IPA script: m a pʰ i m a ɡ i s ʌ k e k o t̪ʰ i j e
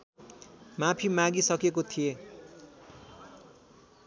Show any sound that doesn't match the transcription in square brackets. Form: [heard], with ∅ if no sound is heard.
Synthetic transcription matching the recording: m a pʰ i m a ɡ i s ʌ k e k o t̪ʰ i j e